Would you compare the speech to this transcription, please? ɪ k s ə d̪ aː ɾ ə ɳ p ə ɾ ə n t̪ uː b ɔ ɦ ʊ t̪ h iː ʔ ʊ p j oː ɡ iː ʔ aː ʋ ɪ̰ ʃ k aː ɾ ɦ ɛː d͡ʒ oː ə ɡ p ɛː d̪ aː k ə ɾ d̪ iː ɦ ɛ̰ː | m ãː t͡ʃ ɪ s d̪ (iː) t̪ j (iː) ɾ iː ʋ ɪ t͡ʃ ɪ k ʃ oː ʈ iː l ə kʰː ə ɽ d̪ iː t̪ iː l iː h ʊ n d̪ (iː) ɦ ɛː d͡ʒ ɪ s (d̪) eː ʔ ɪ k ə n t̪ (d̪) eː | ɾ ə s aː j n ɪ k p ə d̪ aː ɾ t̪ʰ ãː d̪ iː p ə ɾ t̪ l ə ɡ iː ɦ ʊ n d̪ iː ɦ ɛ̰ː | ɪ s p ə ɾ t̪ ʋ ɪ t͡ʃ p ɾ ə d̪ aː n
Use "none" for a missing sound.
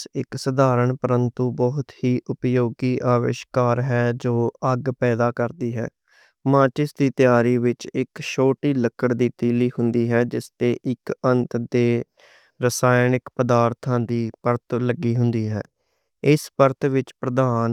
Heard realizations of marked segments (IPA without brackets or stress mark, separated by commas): iː, aː, iː, t̪, d̪